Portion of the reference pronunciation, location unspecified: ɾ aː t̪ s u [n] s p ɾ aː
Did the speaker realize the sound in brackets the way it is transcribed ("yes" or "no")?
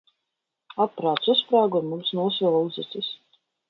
no